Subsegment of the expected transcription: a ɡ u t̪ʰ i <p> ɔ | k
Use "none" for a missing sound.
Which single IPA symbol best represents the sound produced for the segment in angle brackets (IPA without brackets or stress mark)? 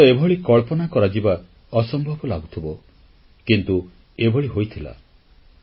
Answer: b